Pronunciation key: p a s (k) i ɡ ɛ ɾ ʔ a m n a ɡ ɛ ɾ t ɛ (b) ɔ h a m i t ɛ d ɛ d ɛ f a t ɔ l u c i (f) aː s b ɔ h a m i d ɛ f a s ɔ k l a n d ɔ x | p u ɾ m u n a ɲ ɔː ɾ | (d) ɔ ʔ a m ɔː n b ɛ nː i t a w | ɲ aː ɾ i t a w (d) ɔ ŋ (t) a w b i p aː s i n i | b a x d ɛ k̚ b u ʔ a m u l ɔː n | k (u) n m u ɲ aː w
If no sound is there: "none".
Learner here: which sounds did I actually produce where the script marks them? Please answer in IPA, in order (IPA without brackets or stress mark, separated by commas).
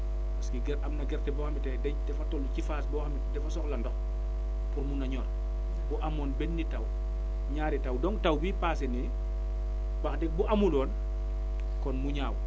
k, b, f, b, d, t, ɔ